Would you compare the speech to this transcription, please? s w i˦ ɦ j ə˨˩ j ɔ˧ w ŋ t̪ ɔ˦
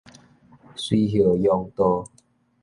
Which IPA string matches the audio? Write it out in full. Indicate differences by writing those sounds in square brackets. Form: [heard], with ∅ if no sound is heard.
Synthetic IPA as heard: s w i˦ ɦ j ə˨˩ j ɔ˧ [∅] ŋ t̪ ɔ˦

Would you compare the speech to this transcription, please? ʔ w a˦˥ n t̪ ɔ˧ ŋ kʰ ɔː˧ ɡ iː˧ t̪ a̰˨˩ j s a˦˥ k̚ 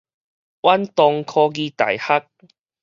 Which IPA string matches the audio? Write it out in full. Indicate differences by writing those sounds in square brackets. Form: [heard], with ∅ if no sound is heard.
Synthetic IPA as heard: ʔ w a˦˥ n t̪ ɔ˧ ŋ kʰ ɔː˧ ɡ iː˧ t̪ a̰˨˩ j [h] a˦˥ k̚

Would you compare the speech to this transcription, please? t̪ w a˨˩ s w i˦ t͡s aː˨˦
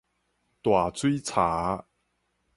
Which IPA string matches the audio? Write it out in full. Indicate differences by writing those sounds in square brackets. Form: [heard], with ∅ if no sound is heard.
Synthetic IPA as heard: t̪ w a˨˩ [t͡s] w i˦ [t͡sʰ] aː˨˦

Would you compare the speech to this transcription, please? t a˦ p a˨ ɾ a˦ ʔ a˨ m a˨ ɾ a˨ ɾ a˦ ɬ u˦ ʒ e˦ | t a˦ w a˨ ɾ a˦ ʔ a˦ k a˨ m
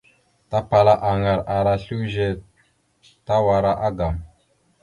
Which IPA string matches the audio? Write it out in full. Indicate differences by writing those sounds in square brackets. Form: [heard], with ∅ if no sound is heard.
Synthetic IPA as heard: t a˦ p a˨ [l] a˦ ʔ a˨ [ŋ] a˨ ɾ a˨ ɾ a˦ ɬ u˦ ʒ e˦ | t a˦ w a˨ ɾ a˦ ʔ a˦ [ɡ] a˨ m

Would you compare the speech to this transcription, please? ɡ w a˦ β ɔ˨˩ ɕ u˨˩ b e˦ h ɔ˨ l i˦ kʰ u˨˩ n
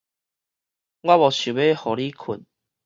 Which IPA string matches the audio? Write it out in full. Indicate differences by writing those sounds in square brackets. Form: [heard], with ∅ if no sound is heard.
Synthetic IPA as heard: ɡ w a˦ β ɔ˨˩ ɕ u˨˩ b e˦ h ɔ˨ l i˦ kʰ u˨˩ n

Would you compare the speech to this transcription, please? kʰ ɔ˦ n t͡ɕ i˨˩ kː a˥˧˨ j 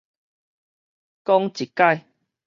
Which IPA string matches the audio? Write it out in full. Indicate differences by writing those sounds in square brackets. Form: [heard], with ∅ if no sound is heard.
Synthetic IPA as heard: [k] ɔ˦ [ŋ] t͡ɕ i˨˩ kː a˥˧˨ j

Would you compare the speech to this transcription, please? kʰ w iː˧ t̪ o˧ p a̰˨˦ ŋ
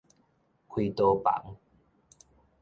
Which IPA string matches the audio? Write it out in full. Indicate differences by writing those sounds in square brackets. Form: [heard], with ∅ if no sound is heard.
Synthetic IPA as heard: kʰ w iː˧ t̪ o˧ p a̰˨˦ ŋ

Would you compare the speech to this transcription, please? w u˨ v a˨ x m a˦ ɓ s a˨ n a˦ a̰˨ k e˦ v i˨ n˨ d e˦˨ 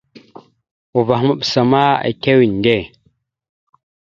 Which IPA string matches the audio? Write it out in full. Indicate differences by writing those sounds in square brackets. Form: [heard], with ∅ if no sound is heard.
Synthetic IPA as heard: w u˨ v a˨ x m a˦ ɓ s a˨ [m] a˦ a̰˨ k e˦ [w] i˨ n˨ d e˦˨

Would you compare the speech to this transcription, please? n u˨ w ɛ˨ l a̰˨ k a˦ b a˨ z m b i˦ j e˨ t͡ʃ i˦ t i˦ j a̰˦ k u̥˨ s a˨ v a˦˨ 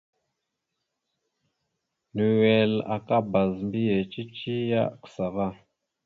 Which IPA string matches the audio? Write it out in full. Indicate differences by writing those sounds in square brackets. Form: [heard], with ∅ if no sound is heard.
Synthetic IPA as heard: n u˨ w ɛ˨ l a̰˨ k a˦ b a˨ z m b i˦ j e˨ t͡ʃ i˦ [t͡ʃ] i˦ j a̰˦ k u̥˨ s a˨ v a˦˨

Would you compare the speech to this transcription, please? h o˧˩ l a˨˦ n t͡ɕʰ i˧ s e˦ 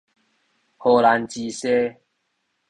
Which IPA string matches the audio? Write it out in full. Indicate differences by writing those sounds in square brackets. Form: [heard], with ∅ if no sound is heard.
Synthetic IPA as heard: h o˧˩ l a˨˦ n [t͡ɕ] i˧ s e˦

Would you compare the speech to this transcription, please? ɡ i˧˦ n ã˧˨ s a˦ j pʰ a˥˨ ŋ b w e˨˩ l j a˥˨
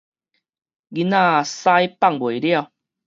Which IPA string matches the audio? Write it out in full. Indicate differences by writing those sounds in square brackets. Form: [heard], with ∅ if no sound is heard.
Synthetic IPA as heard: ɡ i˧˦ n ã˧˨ s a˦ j [p] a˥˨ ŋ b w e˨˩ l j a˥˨

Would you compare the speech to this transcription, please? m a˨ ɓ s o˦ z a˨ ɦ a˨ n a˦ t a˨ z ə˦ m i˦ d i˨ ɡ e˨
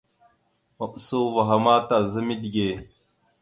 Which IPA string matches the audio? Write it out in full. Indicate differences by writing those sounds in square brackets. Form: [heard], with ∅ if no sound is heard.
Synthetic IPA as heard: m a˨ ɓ s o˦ [v] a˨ ɦ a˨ [m] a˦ t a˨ z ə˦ m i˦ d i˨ ɡ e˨

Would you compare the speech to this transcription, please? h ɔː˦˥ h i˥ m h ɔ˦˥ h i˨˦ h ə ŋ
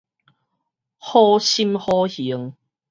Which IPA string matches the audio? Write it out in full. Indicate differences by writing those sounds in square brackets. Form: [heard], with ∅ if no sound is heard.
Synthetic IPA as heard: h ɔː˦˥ [ɕ] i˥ m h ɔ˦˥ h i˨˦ [∅] ə ŋ

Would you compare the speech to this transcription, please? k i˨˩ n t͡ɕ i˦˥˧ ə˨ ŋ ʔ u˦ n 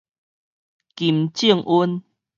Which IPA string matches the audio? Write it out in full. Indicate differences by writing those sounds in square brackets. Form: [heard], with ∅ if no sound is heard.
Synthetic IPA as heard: k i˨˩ [m] t͡ɕ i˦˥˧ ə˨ ŋ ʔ u˦ n

